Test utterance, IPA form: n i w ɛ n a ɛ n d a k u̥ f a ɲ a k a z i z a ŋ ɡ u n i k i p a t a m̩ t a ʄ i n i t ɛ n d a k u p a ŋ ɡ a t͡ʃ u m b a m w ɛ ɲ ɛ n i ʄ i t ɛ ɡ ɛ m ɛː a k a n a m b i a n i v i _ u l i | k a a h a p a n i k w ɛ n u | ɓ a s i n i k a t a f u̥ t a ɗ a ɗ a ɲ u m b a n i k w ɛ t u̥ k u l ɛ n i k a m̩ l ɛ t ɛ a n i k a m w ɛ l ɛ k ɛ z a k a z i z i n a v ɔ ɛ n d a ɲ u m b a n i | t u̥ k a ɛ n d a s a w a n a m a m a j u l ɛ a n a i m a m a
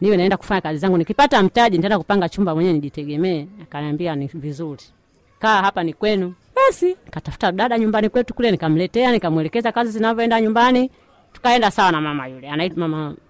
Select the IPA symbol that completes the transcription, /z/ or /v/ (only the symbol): z